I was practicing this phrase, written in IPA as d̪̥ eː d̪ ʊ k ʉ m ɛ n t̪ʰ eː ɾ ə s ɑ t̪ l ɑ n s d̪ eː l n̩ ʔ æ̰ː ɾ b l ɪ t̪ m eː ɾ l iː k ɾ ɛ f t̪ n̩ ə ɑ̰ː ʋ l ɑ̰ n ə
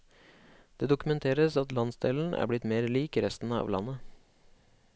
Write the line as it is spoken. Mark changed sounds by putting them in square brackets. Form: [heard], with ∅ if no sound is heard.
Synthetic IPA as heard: d̪̥ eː d̪ ʊ k ʉ m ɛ n t̪ʰ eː ɾ ə s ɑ t̪ l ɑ n s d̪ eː l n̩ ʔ æ̰ː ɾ b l ɪ t̪ m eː ɾ l iː k ɾ ɛ [s] t̪ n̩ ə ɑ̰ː ʋ l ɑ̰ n ə